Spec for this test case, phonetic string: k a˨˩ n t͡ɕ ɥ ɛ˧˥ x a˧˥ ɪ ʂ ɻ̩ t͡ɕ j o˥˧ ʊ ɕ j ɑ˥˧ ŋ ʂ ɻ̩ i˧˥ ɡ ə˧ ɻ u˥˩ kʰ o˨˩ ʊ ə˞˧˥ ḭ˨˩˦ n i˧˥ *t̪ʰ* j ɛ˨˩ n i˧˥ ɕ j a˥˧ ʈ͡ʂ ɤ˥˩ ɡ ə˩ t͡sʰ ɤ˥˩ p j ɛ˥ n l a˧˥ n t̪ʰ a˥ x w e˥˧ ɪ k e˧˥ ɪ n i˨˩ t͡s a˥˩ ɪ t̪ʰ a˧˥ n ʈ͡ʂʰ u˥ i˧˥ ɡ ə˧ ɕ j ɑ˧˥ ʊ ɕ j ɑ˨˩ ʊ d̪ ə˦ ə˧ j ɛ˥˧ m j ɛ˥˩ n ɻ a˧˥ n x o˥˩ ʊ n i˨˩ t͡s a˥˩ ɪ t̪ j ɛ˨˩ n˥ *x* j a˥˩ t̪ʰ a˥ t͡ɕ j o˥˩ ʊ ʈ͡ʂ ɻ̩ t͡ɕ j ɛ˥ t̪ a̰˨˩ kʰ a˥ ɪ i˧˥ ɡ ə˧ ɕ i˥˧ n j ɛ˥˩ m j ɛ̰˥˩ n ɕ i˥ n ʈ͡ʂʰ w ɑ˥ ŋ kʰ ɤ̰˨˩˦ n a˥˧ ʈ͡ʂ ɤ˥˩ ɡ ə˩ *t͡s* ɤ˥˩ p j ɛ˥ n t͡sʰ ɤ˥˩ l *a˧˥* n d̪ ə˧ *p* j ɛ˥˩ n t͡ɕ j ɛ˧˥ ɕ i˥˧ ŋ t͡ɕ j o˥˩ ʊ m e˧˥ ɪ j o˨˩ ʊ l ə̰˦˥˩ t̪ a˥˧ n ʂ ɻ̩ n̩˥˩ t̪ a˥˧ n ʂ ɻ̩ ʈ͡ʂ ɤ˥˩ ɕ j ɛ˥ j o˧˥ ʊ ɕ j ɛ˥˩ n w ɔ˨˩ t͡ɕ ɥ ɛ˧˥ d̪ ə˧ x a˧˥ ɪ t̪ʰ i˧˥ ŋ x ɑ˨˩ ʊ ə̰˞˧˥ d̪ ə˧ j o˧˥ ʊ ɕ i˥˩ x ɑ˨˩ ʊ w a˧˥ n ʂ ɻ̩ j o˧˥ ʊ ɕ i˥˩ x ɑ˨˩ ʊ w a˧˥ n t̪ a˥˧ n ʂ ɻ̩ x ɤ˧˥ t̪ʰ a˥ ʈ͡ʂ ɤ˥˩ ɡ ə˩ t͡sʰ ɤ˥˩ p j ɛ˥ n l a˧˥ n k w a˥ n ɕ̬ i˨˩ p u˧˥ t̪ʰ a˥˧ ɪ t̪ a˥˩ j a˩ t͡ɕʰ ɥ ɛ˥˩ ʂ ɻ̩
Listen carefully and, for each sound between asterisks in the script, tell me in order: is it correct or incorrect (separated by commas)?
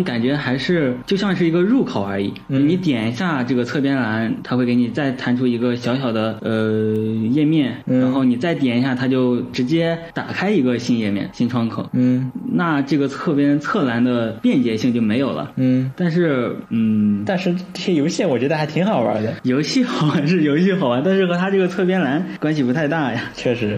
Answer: incorrect, incorrect, incorrect, correct, correct